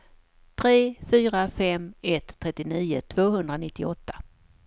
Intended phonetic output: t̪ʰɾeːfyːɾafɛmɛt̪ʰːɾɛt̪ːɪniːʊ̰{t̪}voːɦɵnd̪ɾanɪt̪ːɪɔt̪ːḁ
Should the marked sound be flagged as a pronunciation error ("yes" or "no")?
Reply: yes